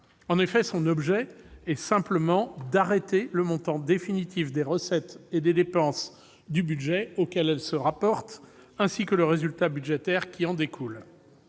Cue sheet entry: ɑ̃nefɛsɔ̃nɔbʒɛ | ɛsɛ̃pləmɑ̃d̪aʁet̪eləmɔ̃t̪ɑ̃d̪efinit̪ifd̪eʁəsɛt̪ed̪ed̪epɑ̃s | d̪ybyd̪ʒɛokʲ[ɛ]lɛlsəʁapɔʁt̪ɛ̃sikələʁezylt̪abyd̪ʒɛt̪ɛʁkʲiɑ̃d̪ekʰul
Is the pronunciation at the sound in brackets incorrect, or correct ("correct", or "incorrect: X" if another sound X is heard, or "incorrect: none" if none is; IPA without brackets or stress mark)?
correct